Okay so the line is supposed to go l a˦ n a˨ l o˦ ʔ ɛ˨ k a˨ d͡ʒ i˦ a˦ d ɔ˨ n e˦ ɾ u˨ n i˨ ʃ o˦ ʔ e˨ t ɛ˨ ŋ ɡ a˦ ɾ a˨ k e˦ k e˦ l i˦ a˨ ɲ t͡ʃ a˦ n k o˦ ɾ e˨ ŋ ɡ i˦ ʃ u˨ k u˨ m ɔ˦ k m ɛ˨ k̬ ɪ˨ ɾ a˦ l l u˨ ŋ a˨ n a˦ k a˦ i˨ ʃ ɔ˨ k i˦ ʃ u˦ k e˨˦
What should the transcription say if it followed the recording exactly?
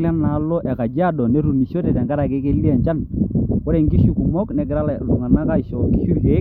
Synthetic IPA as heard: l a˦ n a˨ l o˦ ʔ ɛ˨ k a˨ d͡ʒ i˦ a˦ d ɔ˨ n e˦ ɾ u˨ n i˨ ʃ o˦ t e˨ t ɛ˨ ŋ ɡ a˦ ɾ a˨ k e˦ k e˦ l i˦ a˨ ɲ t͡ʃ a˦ n k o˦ ɾ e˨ ŋ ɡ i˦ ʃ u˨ k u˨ m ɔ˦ k n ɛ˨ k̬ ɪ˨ ɾ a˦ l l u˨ ŋ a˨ n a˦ k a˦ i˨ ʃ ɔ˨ k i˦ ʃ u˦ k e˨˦